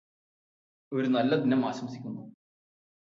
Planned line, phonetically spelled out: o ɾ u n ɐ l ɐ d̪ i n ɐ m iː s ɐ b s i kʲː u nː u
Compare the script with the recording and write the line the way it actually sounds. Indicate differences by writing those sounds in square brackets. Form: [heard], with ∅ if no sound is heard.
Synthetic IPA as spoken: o ɾ u n ɐ [lː] ɐ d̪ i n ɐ m [aː] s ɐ [m] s i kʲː u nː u

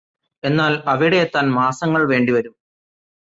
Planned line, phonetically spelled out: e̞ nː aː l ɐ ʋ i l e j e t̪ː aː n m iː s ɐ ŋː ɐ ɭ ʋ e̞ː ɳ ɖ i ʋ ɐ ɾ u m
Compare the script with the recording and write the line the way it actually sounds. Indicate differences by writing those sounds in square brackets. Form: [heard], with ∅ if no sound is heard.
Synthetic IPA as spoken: e̞ nː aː l ɐ ʋ i [ɽ] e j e t̪ː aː n m [aː] s ɐ ŋː ɐ ɭ ʋ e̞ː ɳ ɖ i ʋ ɐ ɾ u m

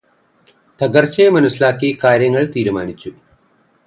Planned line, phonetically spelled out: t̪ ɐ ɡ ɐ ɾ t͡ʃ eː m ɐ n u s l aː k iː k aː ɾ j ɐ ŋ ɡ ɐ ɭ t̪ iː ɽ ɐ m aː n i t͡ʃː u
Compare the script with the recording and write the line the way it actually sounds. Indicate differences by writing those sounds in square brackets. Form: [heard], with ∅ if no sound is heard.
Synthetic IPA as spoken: t̪ ɐ ɡ ɐ ɾ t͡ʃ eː m ɐ n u s l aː k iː k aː ɾ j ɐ ŋ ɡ ɐ ɭ t̪ iː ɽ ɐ m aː n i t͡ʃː u

